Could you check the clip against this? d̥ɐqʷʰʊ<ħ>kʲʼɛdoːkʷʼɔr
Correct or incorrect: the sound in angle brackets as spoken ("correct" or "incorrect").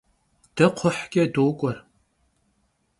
correct